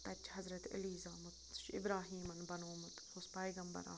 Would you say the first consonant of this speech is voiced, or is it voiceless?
voiceless